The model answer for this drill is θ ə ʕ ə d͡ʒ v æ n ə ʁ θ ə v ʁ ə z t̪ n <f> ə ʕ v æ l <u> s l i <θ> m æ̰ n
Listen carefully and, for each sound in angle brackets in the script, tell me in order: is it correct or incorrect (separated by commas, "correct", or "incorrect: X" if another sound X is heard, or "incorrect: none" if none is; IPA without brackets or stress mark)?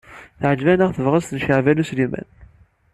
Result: incorrect: ʃ, correct, incorrect: none